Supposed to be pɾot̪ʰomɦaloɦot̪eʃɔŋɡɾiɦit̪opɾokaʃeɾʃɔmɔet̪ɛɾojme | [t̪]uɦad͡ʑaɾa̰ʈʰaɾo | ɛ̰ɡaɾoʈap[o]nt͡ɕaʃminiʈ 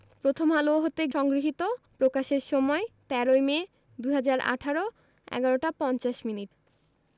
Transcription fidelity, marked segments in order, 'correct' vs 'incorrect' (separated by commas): incorrect, incorrect